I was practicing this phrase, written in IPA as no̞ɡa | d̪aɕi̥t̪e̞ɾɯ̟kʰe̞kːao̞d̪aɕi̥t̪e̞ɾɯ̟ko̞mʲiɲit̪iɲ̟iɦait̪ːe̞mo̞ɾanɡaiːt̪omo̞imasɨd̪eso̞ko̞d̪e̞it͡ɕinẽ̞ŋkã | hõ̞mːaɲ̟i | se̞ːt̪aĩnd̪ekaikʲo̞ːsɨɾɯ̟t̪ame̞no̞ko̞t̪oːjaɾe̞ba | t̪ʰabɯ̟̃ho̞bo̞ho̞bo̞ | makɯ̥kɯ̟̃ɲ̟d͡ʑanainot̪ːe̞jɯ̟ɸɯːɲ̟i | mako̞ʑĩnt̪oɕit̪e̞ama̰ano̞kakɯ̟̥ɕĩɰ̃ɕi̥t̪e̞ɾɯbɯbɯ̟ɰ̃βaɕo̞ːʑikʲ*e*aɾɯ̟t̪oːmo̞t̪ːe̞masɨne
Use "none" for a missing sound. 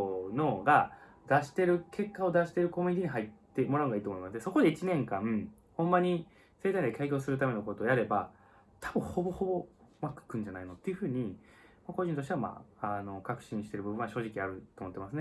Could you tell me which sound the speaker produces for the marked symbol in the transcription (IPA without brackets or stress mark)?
i